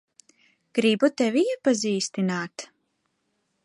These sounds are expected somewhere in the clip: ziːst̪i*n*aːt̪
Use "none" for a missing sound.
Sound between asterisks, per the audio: n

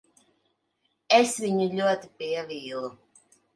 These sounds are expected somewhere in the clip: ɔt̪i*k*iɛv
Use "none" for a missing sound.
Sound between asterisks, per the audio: p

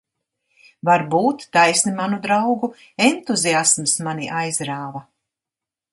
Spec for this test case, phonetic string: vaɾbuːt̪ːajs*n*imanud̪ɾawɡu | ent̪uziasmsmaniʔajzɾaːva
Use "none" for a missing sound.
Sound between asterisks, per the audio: n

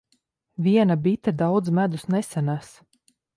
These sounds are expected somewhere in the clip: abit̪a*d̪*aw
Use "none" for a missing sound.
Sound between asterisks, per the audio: d̪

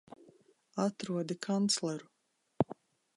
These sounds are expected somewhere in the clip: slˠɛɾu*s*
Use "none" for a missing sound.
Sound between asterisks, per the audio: none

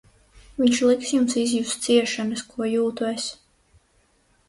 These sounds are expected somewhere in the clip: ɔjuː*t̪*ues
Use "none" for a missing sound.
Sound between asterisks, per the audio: t̪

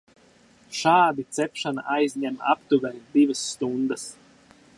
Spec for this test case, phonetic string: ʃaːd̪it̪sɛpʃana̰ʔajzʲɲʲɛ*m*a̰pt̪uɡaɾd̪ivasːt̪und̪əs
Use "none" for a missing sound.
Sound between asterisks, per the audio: m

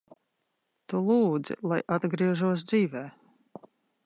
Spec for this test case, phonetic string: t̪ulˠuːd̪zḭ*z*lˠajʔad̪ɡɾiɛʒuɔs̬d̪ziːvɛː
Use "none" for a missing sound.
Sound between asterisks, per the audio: none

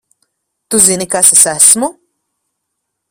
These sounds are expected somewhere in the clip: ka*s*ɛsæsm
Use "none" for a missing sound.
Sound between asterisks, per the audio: s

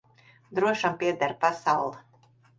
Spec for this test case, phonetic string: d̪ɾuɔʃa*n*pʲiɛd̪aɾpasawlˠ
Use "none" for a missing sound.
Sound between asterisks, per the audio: m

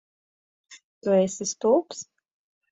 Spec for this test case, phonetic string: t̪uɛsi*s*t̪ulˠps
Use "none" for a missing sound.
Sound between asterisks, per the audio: s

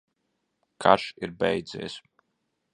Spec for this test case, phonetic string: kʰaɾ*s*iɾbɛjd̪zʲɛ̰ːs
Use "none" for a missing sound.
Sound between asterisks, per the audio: ʃ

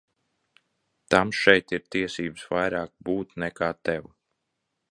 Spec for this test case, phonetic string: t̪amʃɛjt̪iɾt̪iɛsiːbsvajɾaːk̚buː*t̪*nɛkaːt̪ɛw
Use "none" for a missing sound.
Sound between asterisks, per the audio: t̪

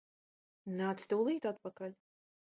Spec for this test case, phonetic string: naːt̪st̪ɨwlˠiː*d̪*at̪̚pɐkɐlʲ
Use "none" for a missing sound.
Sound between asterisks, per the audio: t̪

